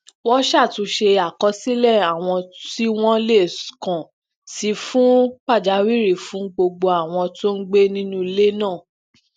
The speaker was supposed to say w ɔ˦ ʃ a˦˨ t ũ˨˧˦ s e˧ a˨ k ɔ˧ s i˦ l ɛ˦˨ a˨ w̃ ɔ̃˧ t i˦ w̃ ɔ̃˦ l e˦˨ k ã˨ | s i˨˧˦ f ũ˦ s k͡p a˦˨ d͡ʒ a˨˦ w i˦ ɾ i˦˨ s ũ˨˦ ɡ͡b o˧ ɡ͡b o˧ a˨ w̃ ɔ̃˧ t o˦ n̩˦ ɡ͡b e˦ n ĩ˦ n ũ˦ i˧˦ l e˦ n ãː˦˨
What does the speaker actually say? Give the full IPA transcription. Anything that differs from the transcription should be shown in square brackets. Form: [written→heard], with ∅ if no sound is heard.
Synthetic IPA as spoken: w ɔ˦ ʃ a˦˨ t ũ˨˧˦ [s→ʃ] e˧ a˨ k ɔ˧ s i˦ l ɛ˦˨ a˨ w̃ ɔ̃˧ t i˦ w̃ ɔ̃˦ l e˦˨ k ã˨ | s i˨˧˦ f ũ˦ [s→∅] k͡p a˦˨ d͡ʒ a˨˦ w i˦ ɾ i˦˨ [s→f] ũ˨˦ ɡ͡b o˧ ɡ͡b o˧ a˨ w̃ ɔ̃˧ t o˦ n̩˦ ɡ͡b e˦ n ĩ˦ n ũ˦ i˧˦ l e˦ n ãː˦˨